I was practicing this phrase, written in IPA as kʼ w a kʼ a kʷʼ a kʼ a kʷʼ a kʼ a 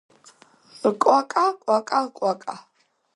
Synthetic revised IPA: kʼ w a kʼ a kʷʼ a kʼ a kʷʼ a kʼ a